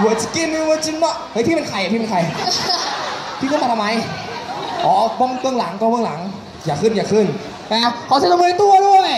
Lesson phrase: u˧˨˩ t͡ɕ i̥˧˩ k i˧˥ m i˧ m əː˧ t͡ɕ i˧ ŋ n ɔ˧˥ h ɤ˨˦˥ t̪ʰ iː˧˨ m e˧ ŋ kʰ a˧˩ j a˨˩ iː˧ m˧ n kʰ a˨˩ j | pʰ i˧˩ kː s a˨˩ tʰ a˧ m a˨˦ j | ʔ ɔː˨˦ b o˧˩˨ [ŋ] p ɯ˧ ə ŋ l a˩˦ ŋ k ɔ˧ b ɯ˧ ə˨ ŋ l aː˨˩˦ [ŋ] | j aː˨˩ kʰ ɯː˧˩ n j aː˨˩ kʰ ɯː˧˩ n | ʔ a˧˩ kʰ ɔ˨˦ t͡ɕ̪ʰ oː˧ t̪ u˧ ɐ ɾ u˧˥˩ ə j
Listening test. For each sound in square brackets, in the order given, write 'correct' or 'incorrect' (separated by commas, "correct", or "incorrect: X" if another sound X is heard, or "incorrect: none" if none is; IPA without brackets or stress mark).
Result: correct, correct